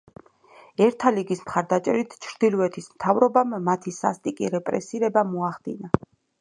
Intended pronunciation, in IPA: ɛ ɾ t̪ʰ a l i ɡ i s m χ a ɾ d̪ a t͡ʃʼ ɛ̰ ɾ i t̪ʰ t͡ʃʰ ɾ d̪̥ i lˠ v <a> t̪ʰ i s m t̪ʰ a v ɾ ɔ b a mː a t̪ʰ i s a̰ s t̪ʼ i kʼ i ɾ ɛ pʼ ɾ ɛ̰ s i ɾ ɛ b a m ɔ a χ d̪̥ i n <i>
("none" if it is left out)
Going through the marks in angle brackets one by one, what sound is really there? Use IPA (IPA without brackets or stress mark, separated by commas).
ɛ, a